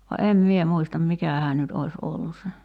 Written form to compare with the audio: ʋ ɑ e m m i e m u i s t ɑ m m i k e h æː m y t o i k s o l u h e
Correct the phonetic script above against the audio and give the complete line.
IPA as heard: ʋ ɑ e m m i e m u i s t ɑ m m i k æ h æː n y t o i s o lː u s e